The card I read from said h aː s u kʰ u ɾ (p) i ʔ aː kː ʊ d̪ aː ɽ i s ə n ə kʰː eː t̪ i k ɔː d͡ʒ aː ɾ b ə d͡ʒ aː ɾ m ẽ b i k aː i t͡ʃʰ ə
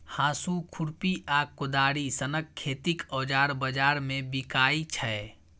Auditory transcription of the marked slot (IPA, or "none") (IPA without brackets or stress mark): p